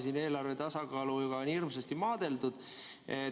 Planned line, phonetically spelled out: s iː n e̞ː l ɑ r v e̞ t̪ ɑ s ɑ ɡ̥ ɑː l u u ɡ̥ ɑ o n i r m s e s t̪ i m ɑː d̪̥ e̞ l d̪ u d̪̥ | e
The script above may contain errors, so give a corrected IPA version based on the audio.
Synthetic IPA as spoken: s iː n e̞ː l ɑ r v e̞ t̪ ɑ s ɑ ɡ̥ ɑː l u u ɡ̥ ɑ o n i r m s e s t̪ i m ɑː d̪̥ e̞ l d̪ u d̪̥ | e